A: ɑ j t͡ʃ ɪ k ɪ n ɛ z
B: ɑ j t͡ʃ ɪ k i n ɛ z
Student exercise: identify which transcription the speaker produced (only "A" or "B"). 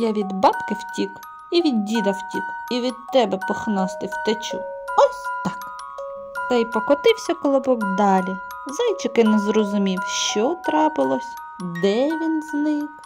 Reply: A